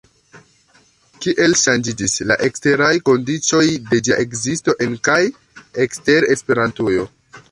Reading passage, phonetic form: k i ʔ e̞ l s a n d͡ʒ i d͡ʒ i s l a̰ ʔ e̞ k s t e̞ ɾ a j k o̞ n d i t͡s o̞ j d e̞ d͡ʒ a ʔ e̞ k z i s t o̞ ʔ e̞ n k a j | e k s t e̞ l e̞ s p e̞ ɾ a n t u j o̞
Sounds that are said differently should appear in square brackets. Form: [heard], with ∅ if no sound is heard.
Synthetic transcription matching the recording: k i ʔ e̞ l [ʃ] a n d͡ʒ i d͡ʒ i s l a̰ ʔ e̞ k s t e̞ ɾ a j k o̞ n d i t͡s o̞ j d e̞ d͡ʒ a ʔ e̞ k z i s t o̞ ʔ e̞ n k a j | e k s t e̞ [ɾ] e̞ s p e̞ ɾ a n t u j o̞